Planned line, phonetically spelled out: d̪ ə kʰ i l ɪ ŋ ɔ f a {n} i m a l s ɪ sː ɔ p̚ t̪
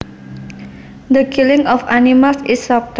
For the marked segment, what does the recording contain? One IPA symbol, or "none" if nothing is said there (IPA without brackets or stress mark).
n